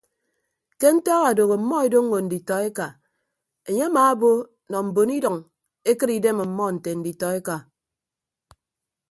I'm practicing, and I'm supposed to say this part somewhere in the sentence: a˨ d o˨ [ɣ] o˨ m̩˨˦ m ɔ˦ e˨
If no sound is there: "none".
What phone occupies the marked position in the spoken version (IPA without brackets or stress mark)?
ɣ